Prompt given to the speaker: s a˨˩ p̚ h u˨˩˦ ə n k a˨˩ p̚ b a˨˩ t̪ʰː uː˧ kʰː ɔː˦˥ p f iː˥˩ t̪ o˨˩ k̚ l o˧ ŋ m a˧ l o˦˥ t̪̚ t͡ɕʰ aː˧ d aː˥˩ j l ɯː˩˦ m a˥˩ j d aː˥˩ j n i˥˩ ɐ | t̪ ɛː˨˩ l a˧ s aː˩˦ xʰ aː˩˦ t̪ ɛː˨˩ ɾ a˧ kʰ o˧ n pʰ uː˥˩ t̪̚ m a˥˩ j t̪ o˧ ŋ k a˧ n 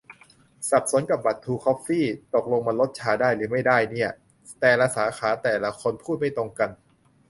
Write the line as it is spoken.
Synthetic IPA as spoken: s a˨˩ p̚ s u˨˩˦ ə n k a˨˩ p̚ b a˨˩ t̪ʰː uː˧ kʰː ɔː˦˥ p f iː˥˩ t̪ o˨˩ k̚ l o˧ ŋ m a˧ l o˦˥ t̪̚ t͡ɕʰ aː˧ d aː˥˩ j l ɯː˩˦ m a˥˩ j d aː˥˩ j n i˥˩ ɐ | t̪ ɛː˨˩ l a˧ s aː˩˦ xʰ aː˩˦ t̪ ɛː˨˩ l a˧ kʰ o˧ n pʰ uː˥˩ t̪̚ m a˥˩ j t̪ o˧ ŋ k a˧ n